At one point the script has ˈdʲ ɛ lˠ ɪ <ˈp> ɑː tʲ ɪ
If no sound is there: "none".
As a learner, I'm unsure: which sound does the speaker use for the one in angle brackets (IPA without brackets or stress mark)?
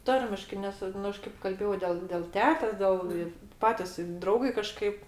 p